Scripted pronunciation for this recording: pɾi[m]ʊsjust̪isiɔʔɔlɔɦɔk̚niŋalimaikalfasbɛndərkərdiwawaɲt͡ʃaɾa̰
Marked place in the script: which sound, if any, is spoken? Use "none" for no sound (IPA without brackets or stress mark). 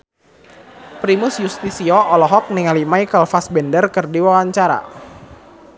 m